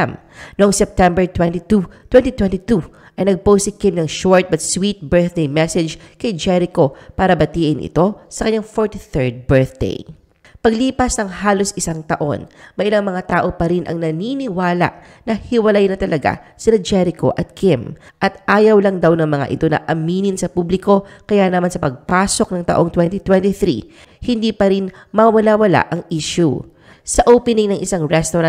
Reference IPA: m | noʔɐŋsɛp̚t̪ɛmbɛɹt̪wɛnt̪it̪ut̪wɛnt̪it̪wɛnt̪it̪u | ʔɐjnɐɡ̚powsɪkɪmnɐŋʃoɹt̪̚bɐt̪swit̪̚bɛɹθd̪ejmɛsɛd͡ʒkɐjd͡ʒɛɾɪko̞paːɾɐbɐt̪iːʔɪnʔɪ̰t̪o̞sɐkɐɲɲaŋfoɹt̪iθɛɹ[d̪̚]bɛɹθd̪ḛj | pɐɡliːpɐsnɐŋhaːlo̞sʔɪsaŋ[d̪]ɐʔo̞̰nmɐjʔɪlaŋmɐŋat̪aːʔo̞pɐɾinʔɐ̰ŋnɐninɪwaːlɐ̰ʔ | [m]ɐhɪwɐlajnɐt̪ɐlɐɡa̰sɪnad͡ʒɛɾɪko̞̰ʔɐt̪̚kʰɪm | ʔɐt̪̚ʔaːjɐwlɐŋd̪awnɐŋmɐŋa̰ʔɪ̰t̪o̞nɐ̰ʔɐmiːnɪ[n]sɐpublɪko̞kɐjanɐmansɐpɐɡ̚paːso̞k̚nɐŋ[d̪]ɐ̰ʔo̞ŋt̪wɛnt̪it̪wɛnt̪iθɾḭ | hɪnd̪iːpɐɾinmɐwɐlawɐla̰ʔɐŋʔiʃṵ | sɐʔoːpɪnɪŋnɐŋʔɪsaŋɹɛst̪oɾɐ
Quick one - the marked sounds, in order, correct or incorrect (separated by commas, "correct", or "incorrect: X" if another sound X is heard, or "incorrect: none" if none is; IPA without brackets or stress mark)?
correct, incorrect: t̪, incorrect: n, correct, incorrect: t̪